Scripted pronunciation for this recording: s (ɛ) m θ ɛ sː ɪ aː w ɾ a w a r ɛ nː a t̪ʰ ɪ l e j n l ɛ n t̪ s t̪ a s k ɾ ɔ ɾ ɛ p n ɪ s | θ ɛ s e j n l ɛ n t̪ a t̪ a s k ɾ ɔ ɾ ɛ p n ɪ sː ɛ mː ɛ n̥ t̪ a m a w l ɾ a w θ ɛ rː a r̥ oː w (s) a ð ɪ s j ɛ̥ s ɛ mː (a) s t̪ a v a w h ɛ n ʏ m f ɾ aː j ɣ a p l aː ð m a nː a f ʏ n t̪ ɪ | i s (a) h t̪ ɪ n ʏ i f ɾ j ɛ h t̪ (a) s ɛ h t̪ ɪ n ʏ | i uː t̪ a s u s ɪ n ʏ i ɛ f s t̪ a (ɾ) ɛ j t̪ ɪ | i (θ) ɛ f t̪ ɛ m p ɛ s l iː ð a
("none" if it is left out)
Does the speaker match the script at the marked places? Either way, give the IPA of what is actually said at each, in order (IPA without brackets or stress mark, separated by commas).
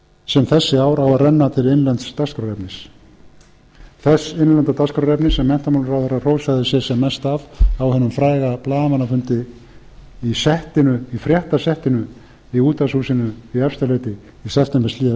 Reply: ɛ, s, ɛ, ɛ, a, l, s